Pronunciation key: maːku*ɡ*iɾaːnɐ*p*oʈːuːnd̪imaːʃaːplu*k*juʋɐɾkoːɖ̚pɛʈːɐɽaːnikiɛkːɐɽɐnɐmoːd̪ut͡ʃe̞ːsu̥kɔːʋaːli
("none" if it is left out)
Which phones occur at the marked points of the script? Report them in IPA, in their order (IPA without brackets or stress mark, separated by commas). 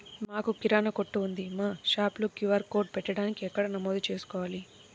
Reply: k, k, k